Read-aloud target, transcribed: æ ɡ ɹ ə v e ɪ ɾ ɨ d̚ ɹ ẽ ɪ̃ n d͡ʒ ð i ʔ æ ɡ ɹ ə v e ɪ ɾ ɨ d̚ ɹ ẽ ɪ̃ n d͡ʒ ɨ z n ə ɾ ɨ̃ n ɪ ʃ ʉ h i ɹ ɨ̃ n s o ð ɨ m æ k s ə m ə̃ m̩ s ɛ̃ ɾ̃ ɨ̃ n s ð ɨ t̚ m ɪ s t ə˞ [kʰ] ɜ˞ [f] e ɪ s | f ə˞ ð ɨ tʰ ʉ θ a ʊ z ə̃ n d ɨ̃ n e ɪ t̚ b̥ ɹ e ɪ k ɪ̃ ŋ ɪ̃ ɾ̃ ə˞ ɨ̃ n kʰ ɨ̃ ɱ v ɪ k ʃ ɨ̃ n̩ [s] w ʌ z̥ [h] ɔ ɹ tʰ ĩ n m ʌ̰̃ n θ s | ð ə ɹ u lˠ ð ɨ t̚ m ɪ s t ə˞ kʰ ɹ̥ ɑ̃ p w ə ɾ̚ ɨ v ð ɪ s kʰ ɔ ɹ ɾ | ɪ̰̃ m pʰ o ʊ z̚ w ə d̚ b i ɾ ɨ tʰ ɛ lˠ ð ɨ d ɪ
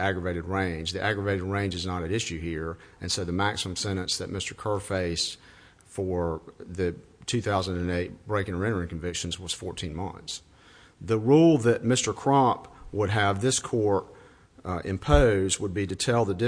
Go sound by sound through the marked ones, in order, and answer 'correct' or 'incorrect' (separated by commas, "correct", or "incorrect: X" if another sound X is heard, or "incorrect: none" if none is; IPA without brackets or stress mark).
correct, correct, incorrect: z, incorrect: f